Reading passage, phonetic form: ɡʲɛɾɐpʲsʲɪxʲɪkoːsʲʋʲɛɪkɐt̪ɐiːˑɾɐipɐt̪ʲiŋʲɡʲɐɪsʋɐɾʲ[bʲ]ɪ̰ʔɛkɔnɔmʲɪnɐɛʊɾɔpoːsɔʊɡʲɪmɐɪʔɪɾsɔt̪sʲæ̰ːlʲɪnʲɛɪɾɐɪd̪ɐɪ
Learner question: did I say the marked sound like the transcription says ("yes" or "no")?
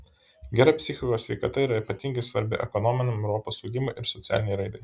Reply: yes